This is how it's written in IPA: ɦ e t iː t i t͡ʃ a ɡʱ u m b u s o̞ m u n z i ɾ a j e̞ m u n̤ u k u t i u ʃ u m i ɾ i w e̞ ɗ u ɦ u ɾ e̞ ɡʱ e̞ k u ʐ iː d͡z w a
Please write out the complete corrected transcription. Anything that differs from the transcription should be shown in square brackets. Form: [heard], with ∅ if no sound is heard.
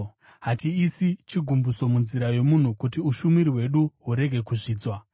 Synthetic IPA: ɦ [a] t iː [s] i t͡ʃ [i] ɡʱ u m b u s o̞ m u n z i ɾ a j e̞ m u n̤ u k u t i u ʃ u m i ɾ i w e̞ ɗ u ɦ u ɾ e̞ ɡʱ e̞ k u ʐ iː d͡z w a